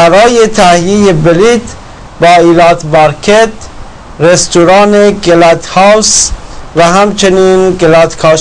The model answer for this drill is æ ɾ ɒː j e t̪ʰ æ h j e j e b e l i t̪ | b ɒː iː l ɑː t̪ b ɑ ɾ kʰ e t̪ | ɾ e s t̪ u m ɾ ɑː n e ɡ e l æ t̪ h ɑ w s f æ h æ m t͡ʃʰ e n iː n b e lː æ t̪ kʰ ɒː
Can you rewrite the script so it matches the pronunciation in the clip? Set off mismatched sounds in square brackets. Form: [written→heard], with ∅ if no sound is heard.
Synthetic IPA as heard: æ ɾ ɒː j e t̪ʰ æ h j e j e b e l i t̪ | b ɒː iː l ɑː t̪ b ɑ ɾ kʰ e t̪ | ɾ e s t̪ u [m→∅] ɾ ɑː n e ɡ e l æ t̪ h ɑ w s [f→v] æ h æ m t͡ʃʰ e n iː n [b→ɡ] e [lː→l] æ t̪ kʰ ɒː